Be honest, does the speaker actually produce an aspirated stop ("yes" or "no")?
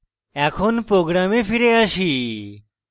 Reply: yes